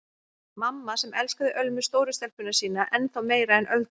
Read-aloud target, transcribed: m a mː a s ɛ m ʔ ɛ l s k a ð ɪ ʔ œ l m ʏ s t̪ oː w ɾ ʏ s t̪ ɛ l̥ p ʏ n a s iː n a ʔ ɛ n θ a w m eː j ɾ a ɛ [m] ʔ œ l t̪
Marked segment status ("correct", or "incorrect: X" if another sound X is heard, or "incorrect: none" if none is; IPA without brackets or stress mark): incorrect: n